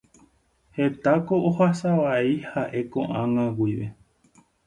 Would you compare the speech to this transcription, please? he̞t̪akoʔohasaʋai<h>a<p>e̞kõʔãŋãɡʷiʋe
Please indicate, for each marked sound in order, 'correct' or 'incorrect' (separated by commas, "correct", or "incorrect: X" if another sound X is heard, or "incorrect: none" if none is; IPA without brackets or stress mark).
correct, incorrect: ʔ